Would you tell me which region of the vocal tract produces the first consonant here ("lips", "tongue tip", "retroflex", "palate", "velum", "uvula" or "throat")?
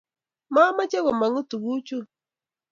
lips